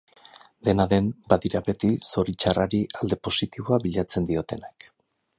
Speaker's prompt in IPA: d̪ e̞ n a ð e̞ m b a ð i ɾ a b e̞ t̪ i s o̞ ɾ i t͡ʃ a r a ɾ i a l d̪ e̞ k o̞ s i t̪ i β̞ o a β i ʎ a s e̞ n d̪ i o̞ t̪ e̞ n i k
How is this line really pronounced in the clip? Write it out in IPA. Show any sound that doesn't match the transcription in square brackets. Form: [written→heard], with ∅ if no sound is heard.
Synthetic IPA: d̪ e̞ n a ð e̞ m b a ð i ɾ a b e̞ t̪ i s o̞ ɾ i t͡ʃ a r a ɾ i a l d̪ e̞ [k→p] o̞ s i t̪ i β̞ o a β i ʎ a [s→t͡s] e̞ n d̪ i o̞ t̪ e̞ n [i→a] k